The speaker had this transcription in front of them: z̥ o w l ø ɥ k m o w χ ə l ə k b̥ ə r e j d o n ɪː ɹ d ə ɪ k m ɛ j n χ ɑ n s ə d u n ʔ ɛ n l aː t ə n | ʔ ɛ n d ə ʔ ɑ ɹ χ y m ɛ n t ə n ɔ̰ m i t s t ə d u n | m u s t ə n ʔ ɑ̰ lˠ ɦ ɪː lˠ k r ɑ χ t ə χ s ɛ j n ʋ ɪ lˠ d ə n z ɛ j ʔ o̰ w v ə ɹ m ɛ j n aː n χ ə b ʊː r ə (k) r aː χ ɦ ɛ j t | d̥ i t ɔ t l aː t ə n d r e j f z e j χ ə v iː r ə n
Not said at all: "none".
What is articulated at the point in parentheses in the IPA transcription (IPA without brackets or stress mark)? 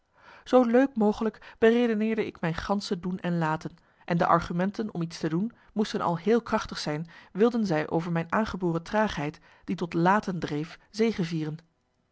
t